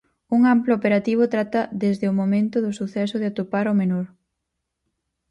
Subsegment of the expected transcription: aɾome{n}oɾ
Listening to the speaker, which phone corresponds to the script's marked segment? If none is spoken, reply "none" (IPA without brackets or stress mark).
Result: n